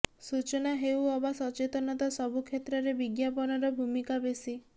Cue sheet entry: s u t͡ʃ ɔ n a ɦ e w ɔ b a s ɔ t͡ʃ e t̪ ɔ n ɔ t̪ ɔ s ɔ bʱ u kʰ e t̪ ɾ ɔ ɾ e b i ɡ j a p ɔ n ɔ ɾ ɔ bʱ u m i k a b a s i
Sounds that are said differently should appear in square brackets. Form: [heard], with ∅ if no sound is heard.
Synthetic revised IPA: s u t͡ʃ ɔ n a ɦ e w ɔ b a s ɔ t͡ʃ e t̪ ɔ n ɔ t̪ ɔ s ɔ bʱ u kʰ e t̪ ɾ ɔ ɾ e b i ɡ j a p ɔ n ɔ ɾ ɔ bʱ u m i k a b [e] s i